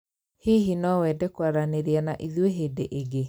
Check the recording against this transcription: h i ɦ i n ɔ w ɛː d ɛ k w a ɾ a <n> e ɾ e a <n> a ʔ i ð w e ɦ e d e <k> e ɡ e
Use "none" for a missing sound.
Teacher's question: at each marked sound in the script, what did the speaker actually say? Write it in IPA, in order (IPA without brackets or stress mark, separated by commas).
n, n, ʔ